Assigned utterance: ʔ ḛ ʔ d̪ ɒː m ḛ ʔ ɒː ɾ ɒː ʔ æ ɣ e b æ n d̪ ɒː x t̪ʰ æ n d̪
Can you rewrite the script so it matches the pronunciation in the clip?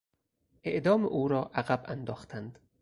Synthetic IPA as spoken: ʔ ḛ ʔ d̪ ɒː m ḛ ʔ uː ɾ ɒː ʔ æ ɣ æ b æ n d̪ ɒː x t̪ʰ æ n d̪